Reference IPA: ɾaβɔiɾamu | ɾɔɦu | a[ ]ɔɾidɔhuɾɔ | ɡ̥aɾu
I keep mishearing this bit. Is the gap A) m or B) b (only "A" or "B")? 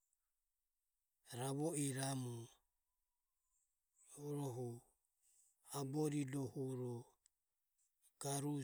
B